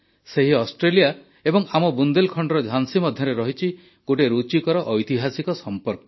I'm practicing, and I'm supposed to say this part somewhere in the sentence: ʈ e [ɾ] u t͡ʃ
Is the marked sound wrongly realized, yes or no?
no